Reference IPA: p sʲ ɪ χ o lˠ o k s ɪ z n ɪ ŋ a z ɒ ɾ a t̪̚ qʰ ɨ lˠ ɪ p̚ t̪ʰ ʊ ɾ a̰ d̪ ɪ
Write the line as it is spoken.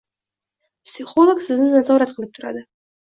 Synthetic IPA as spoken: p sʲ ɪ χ o lˠ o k s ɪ z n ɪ n a z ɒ ɾ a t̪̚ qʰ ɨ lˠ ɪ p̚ t̪ʰ ʊ ɾ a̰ d̪ ɪ

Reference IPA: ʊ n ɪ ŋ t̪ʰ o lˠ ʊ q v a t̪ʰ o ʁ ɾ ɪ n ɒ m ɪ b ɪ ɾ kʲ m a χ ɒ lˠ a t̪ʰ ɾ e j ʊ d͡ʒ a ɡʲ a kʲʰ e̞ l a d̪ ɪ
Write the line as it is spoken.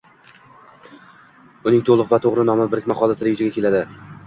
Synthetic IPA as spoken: ʊ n ɪ ŋ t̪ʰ o lˠ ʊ q v a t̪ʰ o ʁ ɾ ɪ n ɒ m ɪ b ɪ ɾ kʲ m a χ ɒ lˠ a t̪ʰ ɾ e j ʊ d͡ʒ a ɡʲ a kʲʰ e̞ l a d̪ ɪ

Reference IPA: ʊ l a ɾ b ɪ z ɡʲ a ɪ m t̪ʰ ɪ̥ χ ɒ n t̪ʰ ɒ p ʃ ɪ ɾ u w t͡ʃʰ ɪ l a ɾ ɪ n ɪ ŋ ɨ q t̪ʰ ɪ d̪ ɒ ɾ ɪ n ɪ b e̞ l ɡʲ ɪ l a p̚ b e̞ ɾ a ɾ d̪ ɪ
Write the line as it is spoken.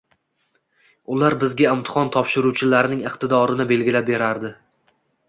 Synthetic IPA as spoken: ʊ l a ɾ b ɪ z ɡʲ a ɪ m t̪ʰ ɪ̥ χ ɒ n t̪ʰ ɒ p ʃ ɪ ɾ u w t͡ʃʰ ɪ l a ɾ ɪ n ɪ ŋ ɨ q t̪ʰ ɪ d̪ ɒ ɾ ɪ n ɪ b e̞ l ɡʲ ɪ l a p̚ b e̞ ɾ a ɾ d̪ ɪ

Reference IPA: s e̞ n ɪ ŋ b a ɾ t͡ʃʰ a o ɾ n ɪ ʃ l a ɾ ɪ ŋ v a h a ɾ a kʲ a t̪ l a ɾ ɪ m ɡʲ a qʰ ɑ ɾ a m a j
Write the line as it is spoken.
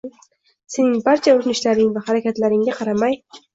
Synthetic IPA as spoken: s e̞ n ɪ ŋ b a ɾ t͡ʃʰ a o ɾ n ɪ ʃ l a ɾ ɪ ŋ v a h a ɾ a kʲ a t̪ l a ɾ ɪ ŋ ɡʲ a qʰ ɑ ɾ a m a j

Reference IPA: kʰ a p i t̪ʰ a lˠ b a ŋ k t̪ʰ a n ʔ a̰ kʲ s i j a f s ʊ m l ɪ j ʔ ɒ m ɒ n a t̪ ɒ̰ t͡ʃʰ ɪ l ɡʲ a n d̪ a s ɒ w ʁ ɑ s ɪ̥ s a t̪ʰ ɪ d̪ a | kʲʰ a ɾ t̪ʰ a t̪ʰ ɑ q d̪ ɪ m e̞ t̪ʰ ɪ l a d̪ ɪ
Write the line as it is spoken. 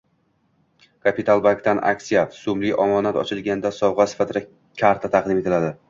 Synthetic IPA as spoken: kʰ a p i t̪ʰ a lˠ b a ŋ k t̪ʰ a n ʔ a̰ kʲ s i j a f s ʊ m l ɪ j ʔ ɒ m ɒ n a t̪ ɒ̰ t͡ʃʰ ɪ l ɡʲ a n d̪ a s ɒ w ʁ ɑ s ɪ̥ f a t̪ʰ ɪ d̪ a | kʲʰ a ɾ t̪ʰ a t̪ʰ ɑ q d̪ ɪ m e̞ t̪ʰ ɪ l a d̪ ɪ

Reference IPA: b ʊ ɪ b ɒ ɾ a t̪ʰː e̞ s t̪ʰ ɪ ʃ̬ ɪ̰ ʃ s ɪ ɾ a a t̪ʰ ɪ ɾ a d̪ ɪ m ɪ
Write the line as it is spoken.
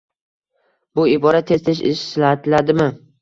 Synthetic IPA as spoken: b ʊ ɪ b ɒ ɾ a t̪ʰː e̞ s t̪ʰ ɪ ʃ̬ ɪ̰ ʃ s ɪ l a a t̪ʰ ɪ l a d̪ ɪ m ɪ

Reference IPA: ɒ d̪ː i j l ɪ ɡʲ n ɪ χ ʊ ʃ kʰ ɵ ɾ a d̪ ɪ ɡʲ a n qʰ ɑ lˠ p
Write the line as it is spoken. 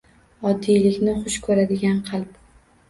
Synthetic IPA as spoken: ɒ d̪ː i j l ɪ kʲ n ɪ χ ʊ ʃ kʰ ɵ ɾ a d̪ ɪ ɡʲ a n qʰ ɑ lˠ p

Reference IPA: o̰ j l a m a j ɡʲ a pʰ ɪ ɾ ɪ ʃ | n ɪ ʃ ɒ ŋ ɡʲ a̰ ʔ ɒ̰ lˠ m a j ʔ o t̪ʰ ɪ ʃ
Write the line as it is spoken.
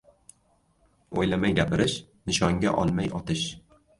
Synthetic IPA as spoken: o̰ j l a m a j ɡʲ a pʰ ɪ ɾ ɪ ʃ | n ɪ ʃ ɒ ŋ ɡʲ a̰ ʔ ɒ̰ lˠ m a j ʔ ɒ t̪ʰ ɪ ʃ

